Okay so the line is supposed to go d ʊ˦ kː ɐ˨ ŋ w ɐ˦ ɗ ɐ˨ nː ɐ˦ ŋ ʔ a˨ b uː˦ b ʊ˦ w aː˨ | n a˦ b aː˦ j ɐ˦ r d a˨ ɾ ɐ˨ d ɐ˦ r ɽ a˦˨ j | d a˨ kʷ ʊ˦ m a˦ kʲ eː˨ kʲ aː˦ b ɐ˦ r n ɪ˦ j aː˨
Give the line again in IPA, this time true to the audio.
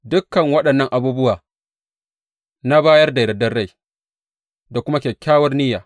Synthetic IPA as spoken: d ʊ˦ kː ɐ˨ ŋ w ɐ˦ ɗ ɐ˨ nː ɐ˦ ŋ ʔ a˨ b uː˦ b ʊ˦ w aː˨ | n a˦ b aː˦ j ɐ˦ r d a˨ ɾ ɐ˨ d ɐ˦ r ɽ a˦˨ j | d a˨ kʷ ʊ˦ m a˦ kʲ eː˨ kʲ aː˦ w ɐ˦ r n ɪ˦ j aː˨